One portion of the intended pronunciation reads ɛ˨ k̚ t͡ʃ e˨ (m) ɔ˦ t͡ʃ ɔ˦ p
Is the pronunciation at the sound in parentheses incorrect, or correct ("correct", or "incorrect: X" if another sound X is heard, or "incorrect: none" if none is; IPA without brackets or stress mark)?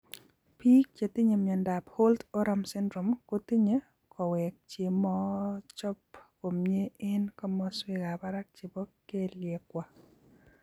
correct